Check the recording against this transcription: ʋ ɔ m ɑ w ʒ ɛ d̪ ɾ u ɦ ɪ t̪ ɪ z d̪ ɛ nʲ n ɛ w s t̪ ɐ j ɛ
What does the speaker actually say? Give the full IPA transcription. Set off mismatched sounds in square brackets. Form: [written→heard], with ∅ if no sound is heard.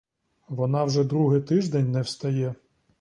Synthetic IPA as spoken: ʋ ɔ [m→n] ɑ w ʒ ɛ d̪ ɾ u ɦ ɪ t̪ ɪ [z→ʒ] d̪ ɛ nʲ n ɛ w s t̪ ɐ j ɛ